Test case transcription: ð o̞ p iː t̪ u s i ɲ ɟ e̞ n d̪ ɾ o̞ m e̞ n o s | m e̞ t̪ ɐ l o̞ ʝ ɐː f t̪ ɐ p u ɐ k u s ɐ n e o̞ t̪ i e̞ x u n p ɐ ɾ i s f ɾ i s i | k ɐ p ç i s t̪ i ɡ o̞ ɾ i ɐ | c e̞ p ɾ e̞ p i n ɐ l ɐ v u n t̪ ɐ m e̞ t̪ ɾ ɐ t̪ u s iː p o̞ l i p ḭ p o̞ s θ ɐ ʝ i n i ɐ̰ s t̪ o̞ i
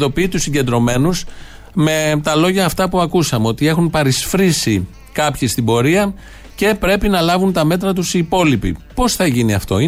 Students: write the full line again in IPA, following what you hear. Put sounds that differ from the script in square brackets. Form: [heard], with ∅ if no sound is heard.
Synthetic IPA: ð o̞ p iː t̪ u s i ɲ ɟ e̞ n d̪ ɾ o̞ m e̞ n [u] s | m e̞ t̪ ɐ l o̞ ʝ ɐː f t̪ ɐ p u ɐ k u s ɐ [m] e o̞ t̪ i e̞ x u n p ɐ ɾ i s f ɾ i s i | k ɐ p ç i s t̪ i [b] o̞ ɾ i ɐ | c e̞ p ɾ e̞ p i n ɐ l ɐ v u n t̪ ɐ m e̞ t̪ ɾ ɐ t̪ u s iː p o̞ l i p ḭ p o̞ s θ ɐ ʝ i n i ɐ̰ [f] t̪ o̞ i